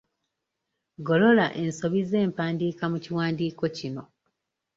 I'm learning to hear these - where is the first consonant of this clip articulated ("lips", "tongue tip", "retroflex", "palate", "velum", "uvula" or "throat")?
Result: velum